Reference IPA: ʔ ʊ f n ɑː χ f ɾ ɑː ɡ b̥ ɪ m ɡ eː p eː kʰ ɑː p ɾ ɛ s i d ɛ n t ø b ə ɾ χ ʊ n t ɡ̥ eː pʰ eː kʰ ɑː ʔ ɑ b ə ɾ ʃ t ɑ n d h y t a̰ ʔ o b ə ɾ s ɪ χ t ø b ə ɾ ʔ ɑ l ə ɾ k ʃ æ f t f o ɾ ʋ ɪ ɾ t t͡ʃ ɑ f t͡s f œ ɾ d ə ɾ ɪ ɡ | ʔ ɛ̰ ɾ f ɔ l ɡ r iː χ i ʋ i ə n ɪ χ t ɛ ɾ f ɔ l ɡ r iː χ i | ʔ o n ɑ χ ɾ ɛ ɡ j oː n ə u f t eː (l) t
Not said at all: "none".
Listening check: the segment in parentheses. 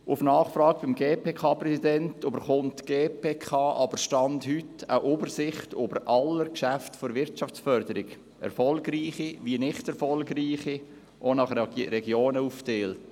l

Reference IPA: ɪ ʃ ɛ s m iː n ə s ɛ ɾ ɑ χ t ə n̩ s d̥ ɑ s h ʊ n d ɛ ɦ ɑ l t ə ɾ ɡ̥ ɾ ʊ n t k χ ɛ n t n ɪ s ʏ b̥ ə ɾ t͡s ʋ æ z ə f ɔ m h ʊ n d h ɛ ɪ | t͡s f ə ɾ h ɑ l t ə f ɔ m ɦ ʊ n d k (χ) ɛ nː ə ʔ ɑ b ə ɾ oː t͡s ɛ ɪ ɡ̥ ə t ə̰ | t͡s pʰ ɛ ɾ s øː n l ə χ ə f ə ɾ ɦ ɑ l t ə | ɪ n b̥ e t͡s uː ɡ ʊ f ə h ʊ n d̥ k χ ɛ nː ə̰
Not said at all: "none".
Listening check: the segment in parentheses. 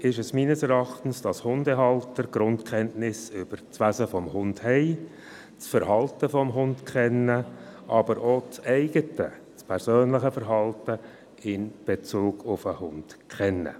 χ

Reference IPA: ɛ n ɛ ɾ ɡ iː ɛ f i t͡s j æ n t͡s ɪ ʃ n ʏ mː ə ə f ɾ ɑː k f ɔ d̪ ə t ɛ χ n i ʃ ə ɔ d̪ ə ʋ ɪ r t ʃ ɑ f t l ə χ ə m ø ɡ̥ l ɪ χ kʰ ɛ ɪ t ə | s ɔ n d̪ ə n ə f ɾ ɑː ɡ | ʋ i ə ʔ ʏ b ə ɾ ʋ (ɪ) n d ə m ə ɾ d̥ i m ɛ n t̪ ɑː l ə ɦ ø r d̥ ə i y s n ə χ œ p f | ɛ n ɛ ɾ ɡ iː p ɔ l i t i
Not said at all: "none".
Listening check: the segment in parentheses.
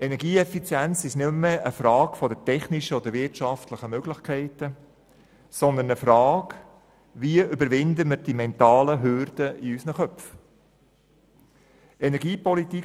ɪ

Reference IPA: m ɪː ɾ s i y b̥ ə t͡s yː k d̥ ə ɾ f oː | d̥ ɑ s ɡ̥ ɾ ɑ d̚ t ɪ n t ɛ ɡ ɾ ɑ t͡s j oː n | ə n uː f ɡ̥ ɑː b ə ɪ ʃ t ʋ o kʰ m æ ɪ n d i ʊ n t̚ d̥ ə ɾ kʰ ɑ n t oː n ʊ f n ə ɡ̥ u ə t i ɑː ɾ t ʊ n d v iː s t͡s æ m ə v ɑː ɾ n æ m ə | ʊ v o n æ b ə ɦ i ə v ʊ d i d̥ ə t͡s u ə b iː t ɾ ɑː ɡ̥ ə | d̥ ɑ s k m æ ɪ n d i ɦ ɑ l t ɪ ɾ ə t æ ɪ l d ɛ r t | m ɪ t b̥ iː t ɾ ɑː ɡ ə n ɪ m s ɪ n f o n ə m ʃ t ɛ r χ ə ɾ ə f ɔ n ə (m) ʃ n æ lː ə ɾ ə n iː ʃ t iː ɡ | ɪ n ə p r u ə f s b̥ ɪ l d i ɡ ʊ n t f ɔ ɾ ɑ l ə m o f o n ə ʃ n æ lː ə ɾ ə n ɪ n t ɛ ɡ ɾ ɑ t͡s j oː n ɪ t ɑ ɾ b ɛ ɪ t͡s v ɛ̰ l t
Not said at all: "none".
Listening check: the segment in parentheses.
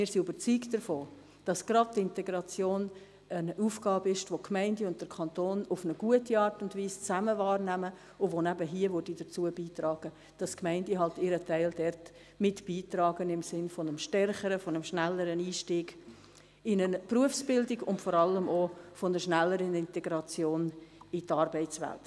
m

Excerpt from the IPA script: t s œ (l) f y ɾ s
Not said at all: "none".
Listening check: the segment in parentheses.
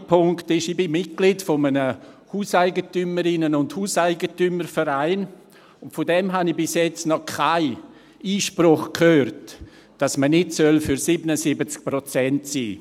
l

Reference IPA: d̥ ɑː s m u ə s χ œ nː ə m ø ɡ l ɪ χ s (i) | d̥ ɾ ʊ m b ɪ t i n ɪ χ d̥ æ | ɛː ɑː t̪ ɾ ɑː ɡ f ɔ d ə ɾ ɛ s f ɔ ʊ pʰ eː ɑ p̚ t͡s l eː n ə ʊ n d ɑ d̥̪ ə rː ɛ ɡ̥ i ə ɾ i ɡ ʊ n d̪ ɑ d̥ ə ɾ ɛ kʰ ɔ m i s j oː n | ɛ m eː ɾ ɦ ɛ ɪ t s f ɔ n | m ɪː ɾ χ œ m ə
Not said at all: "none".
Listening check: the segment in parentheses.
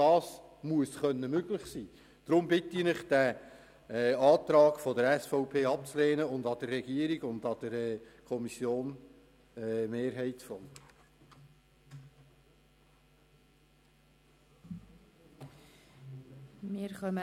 iː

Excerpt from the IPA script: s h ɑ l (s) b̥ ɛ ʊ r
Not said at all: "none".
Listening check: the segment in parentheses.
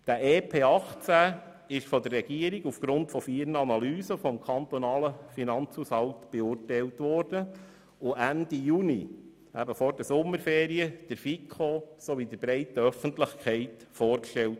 t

